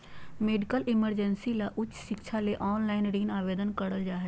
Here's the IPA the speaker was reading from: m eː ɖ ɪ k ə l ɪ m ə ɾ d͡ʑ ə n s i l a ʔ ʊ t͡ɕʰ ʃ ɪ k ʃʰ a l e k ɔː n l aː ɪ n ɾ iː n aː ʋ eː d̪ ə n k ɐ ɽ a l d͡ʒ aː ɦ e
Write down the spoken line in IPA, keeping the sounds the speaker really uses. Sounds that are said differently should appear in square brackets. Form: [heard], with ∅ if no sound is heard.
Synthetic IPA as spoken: m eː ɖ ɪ k ə l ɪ m ə ɾ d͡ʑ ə n s i l a ʔ ʊ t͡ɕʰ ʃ ɪ k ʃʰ a l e [ʔ] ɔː n l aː ɪ n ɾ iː n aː ʋ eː d̪ ə n k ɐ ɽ [ə] l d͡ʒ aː ɦ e